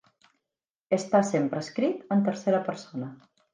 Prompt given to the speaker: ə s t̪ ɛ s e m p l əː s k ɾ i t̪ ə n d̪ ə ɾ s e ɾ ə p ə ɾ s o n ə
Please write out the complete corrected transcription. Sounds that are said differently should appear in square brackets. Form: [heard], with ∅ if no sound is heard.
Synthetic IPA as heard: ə s t̪ [a] s e m p [ɾ] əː s k ɾ i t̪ ə n [t̪] ə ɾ s e ɾ ə p ə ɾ s o n ə